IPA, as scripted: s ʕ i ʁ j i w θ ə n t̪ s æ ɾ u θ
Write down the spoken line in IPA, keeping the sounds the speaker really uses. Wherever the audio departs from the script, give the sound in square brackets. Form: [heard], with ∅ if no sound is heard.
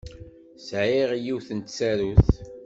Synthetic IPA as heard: s ʕ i ʁ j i w θ ə n t̪ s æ ɾ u θ